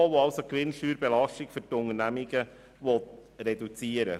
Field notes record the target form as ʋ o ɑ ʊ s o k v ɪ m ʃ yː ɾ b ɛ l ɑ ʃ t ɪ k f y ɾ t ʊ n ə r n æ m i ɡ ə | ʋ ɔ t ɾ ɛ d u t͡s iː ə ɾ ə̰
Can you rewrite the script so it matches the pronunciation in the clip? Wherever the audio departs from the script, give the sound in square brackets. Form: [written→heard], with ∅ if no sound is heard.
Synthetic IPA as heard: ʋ o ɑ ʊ s o k [v→ʋ] ɪ [m→n] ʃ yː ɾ b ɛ l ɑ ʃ t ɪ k f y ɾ t ʊ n ə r n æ m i ɡ ə | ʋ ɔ t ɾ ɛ d u t͡s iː ə ɾ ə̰